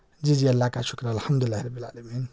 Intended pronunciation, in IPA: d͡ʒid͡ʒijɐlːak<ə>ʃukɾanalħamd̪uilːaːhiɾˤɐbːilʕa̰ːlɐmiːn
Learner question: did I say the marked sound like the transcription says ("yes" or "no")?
no